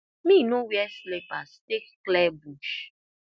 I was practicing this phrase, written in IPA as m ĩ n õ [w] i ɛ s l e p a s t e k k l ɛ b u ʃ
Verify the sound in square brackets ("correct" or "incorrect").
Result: correct